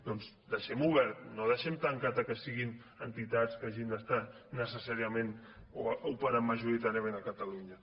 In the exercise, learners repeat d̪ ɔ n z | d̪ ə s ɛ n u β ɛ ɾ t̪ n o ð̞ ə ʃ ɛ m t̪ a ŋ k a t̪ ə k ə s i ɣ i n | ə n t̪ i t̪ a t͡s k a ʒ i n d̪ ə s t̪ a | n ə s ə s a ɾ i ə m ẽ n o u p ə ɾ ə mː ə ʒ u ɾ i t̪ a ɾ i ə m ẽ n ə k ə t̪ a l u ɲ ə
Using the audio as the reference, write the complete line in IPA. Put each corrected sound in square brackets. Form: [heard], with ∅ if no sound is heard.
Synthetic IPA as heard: d̪ ɔ n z | d̪ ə [ʃ] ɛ [m] u β ɛ ɾ t̪ n o ð̞ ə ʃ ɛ m t̪ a ŋ k a t̪ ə k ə s i ɣ i n | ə n t̪ i t̪ a t͡s k a ʒ i n d̪ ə s t̪ a | n ə s ə s a ɾ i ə m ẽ n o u p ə ɾ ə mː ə ʒ u ɾ i t̪ a ɾ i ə m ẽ n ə k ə t̪ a l u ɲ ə